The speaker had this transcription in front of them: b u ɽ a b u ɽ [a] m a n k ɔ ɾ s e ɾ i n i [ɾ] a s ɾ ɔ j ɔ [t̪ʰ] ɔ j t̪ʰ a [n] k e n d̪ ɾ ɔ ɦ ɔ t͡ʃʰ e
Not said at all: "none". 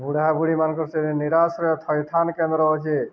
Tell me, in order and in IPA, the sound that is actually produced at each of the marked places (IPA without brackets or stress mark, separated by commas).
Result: i, ɾ, t̪ʰ, n